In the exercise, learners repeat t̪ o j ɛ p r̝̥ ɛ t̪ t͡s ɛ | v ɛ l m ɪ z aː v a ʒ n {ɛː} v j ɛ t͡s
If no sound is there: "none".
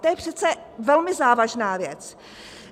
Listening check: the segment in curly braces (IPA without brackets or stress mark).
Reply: aː